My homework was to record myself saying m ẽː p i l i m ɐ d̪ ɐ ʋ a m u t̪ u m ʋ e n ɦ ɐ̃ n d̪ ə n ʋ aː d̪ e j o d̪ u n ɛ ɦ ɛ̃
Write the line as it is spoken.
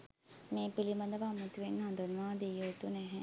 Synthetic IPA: m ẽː p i l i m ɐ d̪ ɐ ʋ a m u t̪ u ʋ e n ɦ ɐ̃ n d̪ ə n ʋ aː d̪ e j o t̪ u n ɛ ɦ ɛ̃